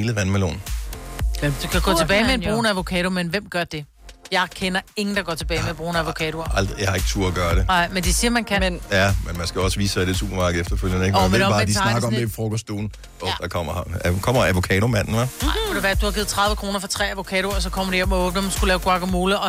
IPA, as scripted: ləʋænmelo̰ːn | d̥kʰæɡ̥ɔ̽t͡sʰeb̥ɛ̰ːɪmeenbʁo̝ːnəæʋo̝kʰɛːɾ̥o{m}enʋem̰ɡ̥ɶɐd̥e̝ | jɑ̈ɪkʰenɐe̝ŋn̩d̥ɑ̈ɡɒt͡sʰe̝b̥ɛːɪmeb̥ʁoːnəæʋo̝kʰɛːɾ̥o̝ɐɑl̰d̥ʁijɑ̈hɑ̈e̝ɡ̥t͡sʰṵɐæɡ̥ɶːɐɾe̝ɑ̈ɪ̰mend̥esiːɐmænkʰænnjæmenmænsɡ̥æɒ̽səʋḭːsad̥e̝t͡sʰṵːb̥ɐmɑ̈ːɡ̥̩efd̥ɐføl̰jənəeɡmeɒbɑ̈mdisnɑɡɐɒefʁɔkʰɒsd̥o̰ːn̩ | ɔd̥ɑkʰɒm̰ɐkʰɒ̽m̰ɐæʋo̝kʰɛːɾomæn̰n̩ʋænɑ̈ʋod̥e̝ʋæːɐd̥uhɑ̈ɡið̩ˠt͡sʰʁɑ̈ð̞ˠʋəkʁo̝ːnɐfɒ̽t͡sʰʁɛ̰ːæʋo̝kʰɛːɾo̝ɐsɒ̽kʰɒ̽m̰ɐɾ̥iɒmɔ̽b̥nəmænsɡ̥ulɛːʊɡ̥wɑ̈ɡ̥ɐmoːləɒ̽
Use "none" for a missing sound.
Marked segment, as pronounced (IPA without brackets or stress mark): m